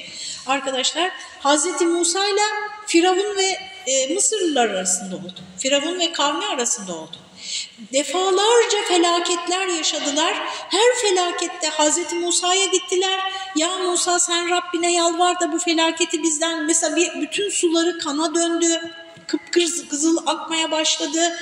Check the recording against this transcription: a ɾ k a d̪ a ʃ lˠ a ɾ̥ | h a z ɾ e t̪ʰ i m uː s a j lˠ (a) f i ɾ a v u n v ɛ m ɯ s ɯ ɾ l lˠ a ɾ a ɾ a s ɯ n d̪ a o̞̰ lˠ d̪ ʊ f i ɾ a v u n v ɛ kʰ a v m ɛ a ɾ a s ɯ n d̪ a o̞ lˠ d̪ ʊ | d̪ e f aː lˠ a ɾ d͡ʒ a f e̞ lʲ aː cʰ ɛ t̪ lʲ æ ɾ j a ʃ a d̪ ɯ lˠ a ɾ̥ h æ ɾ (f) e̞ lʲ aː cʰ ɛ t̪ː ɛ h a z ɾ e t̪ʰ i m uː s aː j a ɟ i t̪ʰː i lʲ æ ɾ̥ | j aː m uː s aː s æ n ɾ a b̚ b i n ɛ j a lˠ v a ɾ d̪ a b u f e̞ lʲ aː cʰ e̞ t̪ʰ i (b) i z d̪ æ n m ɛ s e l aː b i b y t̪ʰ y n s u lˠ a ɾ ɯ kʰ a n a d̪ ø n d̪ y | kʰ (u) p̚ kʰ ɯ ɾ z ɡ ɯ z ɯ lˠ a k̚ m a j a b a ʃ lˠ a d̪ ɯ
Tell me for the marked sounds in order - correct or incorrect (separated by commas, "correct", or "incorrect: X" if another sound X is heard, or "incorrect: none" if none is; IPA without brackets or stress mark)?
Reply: correct, correct, correct, incorrect: ɯ